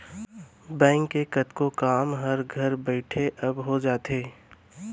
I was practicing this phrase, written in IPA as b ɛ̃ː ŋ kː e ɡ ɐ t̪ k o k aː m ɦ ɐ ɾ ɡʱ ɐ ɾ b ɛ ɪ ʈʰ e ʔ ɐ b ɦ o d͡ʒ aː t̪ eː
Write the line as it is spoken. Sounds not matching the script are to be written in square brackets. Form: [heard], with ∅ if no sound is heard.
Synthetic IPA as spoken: b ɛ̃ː ŋ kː e [k] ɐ t̪ k o k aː m ɦ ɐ ɾ ɡʱ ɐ ɾ b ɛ ɪ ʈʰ e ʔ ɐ b ɦ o d͡ʒ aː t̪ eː